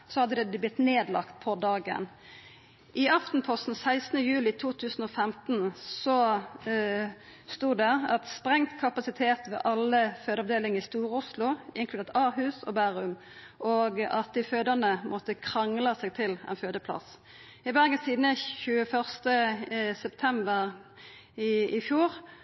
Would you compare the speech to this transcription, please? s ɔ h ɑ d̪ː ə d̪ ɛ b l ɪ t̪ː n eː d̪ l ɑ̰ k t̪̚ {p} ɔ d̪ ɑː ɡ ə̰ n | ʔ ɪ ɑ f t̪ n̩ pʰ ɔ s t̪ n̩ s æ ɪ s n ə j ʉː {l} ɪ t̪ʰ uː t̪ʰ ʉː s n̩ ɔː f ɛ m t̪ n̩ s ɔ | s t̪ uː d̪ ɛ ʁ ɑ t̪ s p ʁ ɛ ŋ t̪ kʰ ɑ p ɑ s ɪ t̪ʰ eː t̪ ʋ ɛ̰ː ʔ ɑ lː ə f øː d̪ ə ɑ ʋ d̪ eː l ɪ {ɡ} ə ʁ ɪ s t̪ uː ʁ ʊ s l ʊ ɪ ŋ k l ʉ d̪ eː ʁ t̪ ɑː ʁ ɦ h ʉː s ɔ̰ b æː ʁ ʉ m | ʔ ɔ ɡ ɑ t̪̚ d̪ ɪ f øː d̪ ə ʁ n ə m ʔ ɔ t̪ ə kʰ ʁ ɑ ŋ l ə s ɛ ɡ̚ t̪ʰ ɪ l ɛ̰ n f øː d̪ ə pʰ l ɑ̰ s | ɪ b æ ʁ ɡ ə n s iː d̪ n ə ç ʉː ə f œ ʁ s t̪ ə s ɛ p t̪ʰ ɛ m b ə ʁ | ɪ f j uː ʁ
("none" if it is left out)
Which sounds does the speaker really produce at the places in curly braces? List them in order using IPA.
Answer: pʰ, l, ŋ

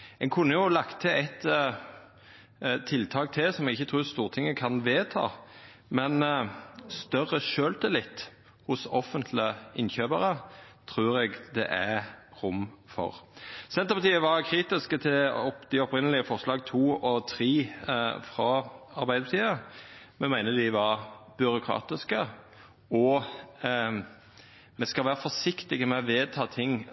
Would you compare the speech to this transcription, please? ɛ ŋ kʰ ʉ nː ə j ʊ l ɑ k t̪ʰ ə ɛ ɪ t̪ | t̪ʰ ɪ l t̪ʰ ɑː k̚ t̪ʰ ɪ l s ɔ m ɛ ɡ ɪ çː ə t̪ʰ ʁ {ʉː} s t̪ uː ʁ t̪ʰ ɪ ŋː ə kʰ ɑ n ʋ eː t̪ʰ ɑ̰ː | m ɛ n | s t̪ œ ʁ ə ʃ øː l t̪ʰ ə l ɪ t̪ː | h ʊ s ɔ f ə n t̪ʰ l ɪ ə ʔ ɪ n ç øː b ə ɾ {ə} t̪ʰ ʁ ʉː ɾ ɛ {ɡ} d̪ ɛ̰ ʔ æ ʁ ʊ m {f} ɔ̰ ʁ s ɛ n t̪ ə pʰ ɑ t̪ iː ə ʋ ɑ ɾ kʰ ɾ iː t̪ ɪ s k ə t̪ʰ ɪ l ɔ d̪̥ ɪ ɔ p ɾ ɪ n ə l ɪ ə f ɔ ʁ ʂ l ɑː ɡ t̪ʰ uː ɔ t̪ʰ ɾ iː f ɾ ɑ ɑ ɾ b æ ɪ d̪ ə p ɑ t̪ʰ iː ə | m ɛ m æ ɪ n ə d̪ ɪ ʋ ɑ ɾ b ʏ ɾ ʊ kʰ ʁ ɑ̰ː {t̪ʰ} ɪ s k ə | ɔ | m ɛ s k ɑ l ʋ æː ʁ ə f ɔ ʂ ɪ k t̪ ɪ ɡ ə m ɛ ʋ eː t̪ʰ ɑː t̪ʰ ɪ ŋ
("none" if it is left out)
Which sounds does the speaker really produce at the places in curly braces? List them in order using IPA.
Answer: ʉː, ə, ɡ, f, t̪

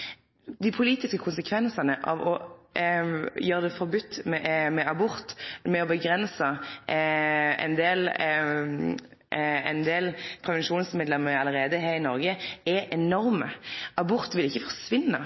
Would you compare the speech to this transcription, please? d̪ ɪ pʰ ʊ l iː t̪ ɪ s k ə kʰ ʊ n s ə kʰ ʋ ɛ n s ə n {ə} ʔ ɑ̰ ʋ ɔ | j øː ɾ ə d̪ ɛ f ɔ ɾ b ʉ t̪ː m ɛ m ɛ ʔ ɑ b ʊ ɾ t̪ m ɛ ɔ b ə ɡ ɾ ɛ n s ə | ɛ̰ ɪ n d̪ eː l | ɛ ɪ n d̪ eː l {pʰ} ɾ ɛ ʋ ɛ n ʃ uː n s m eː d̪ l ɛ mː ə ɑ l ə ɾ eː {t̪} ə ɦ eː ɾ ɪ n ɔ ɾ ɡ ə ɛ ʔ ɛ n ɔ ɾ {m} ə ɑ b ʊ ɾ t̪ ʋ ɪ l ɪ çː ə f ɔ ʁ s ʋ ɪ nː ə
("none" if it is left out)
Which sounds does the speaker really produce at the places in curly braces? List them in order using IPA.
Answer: ə, pʰ, d̪, m

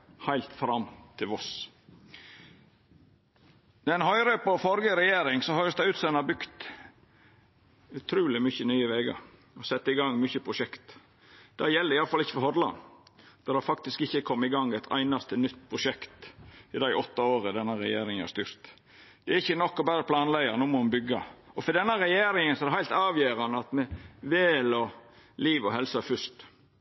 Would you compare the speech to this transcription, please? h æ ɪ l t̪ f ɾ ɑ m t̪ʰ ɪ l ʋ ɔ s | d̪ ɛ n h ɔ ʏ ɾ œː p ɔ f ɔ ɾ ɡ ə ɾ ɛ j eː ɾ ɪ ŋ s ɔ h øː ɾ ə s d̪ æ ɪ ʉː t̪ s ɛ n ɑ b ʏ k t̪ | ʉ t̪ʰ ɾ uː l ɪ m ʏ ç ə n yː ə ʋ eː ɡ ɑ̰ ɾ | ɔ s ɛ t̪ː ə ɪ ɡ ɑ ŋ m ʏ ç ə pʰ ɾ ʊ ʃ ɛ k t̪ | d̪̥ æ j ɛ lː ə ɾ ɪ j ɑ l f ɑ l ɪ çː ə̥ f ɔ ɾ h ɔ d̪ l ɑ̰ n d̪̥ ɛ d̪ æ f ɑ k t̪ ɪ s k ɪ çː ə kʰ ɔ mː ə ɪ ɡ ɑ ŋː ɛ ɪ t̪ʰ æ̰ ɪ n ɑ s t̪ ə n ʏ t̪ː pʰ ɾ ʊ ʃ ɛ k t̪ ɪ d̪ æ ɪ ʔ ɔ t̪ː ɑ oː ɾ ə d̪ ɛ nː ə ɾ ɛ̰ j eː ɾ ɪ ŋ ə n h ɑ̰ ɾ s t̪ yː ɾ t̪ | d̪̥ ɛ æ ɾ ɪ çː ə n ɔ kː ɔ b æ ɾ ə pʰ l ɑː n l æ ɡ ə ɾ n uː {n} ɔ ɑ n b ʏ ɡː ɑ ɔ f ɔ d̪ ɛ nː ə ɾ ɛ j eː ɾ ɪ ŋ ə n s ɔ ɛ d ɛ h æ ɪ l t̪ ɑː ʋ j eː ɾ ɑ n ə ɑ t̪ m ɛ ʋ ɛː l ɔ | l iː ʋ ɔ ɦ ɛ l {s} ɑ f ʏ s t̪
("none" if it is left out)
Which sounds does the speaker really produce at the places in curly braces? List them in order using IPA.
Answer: m, s

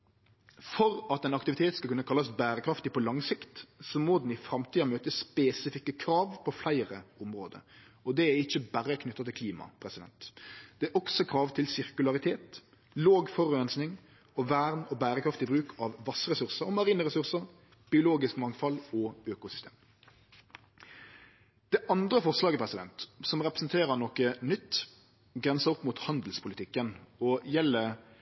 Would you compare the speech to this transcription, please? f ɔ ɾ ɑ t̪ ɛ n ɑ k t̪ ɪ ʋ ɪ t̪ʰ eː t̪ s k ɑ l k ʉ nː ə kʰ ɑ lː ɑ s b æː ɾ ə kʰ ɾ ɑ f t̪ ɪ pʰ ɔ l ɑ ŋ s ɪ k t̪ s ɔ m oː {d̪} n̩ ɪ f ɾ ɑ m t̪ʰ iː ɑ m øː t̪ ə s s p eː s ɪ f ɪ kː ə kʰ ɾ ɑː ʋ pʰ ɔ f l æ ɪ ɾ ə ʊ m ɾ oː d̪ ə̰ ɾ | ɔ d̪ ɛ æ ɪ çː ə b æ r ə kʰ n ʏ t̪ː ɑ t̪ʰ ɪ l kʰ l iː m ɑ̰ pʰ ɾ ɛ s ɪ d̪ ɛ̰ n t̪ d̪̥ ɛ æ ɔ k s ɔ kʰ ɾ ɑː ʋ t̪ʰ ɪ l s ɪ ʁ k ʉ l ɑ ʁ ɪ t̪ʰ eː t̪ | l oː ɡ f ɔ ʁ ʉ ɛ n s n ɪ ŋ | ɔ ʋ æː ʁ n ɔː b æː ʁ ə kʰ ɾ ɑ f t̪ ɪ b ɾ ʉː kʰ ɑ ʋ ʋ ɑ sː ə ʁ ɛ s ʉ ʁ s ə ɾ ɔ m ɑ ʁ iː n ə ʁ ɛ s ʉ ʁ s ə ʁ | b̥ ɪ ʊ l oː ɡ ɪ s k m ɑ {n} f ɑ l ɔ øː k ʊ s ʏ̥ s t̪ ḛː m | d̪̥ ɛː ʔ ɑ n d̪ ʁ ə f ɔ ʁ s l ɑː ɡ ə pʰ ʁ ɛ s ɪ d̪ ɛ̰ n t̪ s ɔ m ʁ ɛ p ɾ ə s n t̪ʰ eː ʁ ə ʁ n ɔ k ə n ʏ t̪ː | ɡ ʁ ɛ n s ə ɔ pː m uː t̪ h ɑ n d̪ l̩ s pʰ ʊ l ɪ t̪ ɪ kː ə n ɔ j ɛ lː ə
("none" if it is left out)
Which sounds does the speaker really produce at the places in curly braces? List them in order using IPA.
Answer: d̪, ŋ

